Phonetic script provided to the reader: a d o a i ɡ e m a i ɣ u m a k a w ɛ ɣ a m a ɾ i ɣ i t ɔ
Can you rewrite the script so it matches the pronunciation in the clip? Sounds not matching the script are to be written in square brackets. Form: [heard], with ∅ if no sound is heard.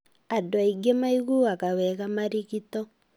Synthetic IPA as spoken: a d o a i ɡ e m a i ɣ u [∅] a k a w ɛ ɣ a m a ɾ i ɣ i t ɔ